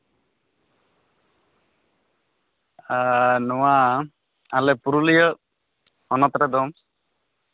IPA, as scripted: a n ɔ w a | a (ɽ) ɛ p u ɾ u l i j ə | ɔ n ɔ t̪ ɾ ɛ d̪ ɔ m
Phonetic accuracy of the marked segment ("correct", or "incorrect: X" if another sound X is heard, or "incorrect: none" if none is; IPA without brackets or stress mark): incorrect: l